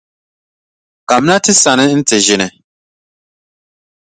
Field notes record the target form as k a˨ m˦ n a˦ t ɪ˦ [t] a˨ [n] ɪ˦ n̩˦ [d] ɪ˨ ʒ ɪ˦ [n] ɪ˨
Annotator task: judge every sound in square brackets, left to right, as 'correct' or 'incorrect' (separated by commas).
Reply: incorrect, correct, incorrect, correct